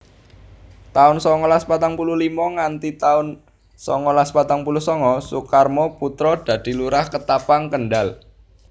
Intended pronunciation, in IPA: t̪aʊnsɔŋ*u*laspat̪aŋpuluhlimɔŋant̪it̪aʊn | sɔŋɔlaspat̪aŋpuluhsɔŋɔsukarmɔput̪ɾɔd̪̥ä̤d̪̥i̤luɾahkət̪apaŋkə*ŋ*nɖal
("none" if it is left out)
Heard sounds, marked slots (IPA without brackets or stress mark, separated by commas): ɔ, none